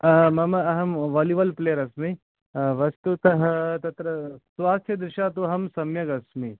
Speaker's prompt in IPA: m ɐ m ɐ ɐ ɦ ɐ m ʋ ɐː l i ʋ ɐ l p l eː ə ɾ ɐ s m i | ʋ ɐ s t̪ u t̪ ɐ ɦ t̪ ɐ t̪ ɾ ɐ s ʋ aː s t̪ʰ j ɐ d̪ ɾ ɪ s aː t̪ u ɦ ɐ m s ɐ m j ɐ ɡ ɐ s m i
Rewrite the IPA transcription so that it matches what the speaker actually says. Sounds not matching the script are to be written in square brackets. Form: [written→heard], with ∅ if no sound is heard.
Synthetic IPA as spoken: m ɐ m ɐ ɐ ɦ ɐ m ʋ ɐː l i ʋ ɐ l p l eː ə ɾ ɐ s m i | ʋ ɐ s t̪ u t̪ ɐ ɦ t̪ ɐ t̪ ɾ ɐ s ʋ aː s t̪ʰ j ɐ d̪ ɾ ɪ [s→ʃ] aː t̪ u ɦ ɐ m s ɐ m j ɐ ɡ ɐ s m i